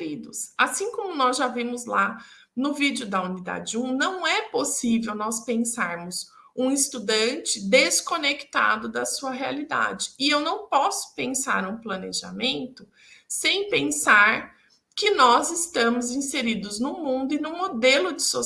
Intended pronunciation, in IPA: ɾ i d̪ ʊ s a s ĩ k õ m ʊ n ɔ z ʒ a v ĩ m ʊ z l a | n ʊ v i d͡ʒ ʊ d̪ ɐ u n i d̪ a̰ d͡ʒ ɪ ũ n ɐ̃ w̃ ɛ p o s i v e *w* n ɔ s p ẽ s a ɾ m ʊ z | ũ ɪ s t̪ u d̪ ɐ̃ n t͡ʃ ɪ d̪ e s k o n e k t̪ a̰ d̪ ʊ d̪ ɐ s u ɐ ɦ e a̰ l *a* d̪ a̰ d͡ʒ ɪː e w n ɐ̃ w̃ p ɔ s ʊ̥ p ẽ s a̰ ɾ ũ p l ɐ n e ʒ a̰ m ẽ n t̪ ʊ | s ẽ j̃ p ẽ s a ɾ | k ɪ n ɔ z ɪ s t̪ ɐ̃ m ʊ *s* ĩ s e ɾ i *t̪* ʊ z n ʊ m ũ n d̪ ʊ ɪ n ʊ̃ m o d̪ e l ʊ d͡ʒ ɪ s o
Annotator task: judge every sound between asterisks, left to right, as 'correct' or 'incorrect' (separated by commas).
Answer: correct, incorrect, incorrect, incorrect